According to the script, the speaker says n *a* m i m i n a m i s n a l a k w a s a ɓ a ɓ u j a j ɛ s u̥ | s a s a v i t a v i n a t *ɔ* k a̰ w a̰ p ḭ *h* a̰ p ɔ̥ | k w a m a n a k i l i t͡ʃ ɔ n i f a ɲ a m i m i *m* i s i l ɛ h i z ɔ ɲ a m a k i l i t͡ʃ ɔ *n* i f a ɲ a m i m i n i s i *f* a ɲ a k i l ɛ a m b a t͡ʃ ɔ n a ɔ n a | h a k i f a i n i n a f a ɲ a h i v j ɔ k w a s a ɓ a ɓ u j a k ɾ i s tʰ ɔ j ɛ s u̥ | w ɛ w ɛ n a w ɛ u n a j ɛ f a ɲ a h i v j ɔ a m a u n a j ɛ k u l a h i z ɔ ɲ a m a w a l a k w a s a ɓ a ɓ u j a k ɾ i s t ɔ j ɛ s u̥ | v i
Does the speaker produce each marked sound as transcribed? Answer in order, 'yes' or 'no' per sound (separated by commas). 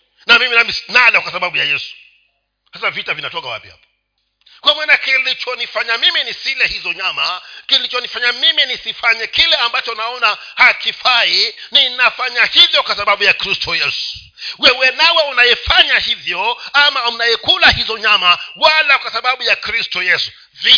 yes, yes, yes, no, yes, yes